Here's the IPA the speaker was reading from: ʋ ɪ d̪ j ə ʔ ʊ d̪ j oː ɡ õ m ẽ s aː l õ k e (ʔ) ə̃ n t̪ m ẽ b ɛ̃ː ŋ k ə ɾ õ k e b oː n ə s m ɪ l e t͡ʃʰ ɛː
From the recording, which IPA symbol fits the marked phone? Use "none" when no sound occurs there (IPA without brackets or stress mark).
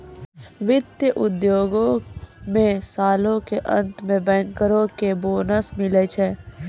ʔ